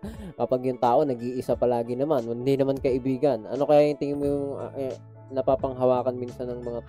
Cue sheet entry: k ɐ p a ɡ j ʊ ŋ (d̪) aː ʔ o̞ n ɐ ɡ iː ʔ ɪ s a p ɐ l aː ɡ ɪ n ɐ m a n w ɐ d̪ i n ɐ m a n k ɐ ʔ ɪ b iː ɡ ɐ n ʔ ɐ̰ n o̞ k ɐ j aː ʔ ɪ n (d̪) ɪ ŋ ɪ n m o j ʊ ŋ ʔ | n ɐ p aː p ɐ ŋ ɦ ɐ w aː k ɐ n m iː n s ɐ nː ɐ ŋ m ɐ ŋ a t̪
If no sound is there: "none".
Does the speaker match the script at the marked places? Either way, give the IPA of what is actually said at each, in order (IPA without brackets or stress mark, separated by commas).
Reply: t̪, t̪